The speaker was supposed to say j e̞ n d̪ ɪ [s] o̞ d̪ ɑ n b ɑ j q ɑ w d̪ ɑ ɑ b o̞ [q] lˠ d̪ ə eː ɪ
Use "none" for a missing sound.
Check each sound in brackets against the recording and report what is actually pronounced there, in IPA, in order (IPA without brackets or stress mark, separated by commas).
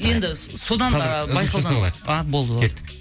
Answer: s, none